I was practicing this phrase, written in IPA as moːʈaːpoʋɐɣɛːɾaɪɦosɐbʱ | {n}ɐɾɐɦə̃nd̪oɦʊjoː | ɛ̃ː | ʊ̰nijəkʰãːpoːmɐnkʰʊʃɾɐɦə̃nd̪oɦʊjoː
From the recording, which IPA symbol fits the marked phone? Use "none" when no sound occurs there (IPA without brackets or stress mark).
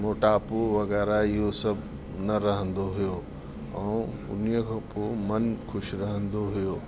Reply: n